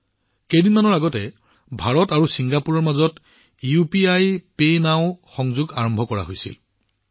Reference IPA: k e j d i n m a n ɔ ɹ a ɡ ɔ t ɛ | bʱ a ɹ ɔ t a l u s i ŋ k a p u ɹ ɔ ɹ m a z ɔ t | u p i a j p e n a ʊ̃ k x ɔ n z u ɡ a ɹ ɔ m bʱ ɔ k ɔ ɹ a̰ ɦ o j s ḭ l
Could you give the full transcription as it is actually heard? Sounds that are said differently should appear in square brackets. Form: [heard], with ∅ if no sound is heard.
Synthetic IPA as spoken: k e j d i n m a n ɔ ɹ a ɡ ɔ t ɛ | bʱ a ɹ ɔ t a [ɹ] u s i ŋ [ɡ] a p u ɹ ɔ ɹ m a z ɔ t | u p i a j p e n a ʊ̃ [∅] x ɔ [ŋ] z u ɡ a ɹ ɔ m bʱ ɔ k ɔ ɹ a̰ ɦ o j s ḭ l